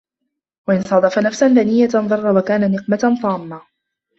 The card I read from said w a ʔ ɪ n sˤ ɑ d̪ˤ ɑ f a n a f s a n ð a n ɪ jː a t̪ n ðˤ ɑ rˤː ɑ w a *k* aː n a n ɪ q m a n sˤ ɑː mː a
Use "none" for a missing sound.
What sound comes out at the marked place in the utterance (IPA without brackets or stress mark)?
k